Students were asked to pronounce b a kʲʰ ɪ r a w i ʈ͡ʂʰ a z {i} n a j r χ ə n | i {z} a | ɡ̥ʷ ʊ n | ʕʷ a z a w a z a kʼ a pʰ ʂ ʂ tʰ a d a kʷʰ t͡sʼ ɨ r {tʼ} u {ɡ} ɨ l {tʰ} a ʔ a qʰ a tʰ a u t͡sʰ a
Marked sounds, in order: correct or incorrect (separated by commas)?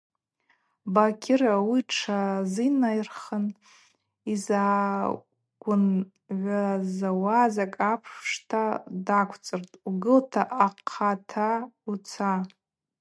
correct, correct, correct, correct, correct